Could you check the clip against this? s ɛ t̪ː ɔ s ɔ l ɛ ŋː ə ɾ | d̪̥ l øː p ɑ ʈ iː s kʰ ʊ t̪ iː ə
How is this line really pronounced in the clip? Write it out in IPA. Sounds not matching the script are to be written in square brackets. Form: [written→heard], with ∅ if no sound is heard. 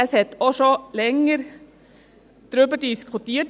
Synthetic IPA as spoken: s ɛ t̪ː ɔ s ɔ l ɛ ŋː ə ɾ | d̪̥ [l→ɾ] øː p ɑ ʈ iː s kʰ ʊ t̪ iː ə